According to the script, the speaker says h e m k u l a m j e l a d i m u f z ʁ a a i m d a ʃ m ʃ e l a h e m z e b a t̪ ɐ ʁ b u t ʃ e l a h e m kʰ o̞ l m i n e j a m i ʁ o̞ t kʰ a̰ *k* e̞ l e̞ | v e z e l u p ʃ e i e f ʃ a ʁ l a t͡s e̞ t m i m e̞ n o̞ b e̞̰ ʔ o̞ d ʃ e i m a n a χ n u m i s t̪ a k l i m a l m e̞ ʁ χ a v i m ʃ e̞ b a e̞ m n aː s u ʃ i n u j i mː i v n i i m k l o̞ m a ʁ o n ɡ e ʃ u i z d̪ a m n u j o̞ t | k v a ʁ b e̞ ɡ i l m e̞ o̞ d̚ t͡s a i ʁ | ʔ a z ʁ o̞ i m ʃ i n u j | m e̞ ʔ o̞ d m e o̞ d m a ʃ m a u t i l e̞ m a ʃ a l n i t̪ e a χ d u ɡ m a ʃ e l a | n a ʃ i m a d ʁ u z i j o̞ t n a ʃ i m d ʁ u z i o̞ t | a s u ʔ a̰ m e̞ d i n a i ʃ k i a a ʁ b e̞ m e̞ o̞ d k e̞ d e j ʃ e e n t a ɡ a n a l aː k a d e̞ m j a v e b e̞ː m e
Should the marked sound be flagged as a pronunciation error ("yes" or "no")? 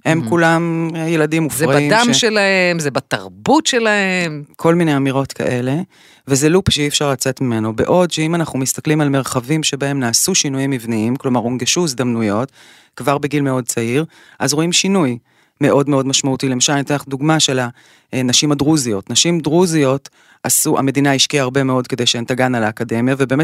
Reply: yes